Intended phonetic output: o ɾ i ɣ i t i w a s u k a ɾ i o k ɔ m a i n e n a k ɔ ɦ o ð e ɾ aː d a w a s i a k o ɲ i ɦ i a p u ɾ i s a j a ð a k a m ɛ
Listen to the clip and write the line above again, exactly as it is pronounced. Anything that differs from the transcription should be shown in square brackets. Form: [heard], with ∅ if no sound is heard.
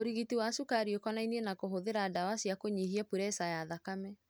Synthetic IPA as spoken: o ɾ i ɣ i t i w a s u k a ɾ i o k ɔ [n] a i n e n a k [o] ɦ o ð e ɾ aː d a w a s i a k o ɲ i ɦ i a p u ɾ [ɛ] s a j a ð a k a m ɛ